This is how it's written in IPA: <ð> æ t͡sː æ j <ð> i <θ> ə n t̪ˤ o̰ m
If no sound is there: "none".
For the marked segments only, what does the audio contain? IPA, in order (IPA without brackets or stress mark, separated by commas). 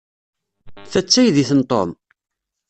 θ, ð, θ